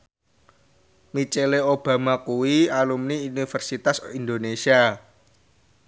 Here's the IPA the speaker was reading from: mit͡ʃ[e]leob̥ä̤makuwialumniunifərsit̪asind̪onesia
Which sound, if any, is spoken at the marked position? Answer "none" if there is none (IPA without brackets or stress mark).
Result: e